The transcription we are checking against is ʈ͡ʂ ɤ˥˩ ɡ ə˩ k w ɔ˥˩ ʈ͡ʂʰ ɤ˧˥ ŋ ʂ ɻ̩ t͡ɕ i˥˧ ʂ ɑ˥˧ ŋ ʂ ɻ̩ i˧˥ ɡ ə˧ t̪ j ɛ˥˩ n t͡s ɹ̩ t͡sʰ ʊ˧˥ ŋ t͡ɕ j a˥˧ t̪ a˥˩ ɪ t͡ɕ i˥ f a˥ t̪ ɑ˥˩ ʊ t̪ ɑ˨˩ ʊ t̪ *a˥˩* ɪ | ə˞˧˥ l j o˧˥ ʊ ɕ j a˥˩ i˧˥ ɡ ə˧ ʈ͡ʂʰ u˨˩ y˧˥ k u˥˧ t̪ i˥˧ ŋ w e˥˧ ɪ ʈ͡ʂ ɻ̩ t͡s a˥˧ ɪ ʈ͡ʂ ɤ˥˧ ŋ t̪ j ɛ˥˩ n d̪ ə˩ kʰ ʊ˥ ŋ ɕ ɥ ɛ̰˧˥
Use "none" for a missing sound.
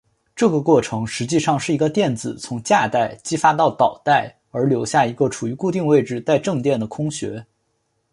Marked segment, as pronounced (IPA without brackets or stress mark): a˥˩